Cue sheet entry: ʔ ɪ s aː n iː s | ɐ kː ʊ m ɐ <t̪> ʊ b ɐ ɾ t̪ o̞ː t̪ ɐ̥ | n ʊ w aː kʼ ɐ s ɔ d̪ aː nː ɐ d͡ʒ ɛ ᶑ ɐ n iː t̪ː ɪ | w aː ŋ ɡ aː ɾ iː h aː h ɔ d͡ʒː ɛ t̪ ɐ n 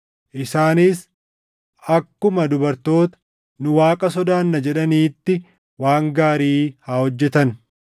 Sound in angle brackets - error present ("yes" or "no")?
yes